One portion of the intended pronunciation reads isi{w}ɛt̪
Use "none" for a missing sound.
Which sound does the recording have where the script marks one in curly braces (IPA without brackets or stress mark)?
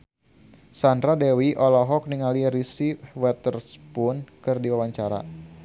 w